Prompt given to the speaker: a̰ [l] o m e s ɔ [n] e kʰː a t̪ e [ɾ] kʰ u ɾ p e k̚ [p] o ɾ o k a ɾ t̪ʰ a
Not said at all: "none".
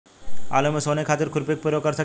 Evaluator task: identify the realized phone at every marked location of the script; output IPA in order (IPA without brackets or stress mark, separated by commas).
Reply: l, n, ɾ, p